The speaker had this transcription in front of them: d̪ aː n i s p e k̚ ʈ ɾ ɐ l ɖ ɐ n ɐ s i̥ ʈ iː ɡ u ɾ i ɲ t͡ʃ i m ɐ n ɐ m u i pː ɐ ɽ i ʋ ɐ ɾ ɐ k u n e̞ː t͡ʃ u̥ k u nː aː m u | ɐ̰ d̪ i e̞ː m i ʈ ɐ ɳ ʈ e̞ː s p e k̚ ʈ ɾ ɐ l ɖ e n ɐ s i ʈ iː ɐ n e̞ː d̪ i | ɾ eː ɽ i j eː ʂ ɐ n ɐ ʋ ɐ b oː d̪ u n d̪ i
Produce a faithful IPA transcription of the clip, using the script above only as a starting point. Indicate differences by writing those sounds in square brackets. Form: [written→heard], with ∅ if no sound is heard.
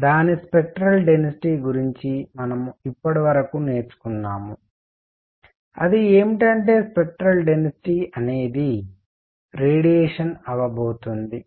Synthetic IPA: d̪ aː n i s p e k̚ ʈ ɾ ɐ l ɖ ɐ n ɐ s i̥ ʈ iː ɡ u ɾ i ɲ t͡ʃ i m ɐ n ɐ m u i pː ɐ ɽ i ʋ ɐ ɾ ɐ k u n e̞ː t͡ʃ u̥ k u nː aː m u | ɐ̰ d̪ i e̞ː m i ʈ ɐ ɳ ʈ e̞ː s p e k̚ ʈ ɾ ɐ l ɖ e n ɐ s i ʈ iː ɐ n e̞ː d̪ i | ɾ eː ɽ i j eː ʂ ɐ n ɐ ʋ ɐ b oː [d̪→t̪] u n d̪ i